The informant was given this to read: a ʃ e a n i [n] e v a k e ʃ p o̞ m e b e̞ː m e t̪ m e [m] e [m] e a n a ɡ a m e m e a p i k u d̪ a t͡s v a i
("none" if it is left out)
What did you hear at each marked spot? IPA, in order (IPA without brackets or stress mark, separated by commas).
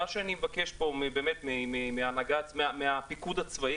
m, m, m